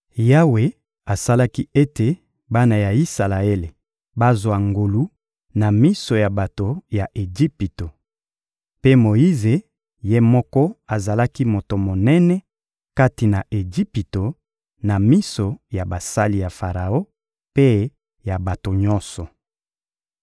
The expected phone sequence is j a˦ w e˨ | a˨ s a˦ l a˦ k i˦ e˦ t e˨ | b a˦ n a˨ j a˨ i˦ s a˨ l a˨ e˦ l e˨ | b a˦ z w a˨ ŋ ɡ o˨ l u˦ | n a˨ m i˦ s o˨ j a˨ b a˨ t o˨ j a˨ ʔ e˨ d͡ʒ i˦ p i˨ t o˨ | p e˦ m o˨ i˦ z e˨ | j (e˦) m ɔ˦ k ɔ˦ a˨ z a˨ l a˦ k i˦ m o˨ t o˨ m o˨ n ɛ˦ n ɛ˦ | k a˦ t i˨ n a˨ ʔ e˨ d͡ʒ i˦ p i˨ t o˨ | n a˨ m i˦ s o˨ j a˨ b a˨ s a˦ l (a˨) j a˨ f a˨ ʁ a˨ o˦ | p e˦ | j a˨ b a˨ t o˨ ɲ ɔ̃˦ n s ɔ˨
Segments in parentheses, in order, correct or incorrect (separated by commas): correct, incorrect